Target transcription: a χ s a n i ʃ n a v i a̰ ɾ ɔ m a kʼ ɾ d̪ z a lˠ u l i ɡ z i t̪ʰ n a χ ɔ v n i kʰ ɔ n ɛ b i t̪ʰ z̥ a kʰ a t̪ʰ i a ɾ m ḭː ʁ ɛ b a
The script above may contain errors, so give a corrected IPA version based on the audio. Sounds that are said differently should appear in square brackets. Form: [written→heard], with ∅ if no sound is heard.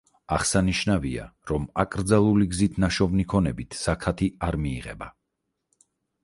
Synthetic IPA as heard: a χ s a n i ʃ n a v i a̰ ɾ ɔ m a kʼ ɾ d̪ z a lˠ u l i ɡ z i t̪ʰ n a [χ→ʃ] ɔ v n i kʰ ɔ n ɛ b i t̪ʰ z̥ a kʰ a t̪ʰ i a ɾ m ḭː ʁ ɛ b a